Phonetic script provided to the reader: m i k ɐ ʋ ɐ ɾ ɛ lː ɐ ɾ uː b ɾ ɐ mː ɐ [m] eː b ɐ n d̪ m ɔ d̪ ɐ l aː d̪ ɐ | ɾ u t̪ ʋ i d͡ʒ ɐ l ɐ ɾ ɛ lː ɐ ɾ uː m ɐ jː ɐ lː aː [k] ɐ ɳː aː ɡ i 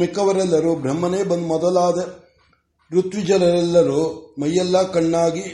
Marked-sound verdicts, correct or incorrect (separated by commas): incorrect, correct